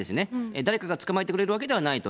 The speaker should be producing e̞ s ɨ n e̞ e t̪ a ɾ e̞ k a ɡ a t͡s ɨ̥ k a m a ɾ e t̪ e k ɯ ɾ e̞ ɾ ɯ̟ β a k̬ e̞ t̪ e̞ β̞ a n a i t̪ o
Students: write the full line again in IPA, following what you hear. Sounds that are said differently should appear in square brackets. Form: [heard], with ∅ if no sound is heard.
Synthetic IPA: e̞ s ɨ n e̞ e [d̪] a ɾ e̞ k a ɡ a t͡s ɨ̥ k a m a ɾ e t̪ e k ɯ ɾ e̞ ɾ ɯ̟ β a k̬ e̞ [d̪] e̞ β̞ a n a i t̪ o